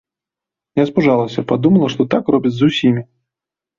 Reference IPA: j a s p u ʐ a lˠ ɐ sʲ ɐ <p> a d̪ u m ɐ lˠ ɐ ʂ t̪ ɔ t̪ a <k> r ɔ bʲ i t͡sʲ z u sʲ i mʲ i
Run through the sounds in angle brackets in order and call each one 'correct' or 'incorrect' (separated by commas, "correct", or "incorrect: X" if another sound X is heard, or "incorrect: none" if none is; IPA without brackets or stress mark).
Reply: correct, correct